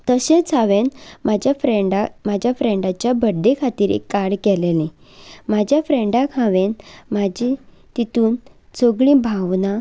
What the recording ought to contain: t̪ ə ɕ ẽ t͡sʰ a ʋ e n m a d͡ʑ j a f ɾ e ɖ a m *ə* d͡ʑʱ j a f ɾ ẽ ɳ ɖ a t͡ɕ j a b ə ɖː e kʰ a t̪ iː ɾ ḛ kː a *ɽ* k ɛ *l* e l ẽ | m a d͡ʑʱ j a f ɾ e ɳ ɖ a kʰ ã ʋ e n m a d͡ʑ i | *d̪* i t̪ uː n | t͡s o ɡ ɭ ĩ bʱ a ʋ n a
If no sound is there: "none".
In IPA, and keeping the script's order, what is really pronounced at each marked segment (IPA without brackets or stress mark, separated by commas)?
a, ɽ, l, t̪